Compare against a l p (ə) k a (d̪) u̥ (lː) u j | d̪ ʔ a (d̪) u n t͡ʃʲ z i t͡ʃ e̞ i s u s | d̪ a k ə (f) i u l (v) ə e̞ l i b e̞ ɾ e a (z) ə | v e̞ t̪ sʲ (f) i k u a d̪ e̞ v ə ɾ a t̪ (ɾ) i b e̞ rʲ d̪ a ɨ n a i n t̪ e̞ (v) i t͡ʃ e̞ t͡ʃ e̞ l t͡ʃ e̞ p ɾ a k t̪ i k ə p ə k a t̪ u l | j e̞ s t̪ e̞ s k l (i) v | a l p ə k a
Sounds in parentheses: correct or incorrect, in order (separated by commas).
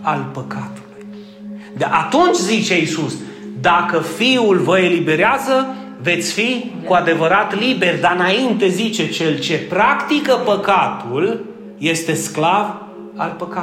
correct, incorrect, incorrect, incorrect, correct, correct, correct, correct, incorrect, incorrect, incorrect